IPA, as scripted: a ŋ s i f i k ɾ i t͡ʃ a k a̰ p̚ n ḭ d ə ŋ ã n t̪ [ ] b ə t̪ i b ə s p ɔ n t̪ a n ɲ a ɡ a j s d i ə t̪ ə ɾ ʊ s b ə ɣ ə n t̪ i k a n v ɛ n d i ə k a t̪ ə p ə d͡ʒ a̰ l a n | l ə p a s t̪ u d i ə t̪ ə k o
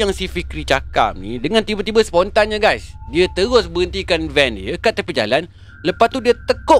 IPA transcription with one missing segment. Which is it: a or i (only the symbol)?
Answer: i